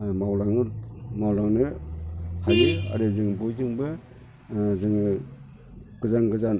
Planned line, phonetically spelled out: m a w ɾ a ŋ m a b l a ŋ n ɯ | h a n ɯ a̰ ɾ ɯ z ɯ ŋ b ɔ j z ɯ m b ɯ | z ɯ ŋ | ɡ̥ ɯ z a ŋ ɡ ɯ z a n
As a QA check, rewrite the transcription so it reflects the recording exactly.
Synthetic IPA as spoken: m a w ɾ a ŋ m a w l a ŋ n ɯ | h a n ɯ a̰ ɾ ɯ z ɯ ŋ b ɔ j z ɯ ŋ b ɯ | z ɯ ŋ | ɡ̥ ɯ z a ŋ ɡ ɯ z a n